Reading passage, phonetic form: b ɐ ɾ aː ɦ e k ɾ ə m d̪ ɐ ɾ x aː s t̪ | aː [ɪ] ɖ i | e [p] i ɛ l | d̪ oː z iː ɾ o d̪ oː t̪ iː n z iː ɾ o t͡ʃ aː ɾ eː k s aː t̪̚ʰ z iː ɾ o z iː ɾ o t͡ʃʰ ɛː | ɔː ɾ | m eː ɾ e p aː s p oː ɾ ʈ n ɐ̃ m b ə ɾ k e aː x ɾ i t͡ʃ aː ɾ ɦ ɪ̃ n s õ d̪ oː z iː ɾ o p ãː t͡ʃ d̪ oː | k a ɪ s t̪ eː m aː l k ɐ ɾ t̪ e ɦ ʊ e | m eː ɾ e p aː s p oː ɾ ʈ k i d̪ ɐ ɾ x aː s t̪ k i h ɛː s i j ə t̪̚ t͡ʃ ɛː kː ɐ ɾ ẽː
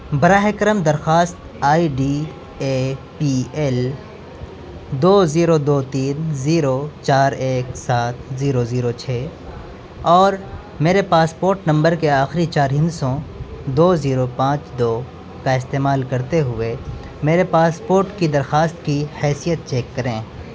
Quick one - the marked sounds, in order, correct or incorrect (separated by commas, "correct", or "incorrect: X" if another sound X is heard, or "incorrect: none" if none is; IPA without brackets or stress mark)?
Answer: incorrect: i, correct